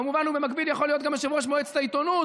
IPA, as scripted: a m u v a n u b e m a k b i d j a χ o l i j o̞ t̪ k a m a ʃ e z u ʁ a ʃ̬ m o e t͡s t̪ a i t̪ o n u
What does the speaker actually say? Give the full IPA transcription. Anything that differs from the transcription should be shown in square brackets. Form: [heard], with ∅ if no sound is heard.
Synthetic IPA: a m u v a n u b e m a k b i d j a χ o l i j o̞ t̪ [ɡ] a m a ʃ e [v] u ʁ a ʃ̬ m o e t͡s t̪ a i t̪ o n u